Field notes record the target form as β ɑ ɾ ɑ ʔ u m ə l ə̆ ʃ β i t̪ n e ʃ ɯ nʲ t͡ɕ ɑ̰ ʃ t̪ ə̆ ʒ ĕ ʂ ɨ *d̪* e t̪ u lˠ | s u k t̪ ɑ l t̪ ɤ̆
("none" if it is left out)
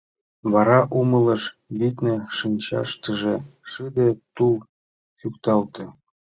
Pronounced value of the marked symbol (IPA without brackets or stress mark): d̪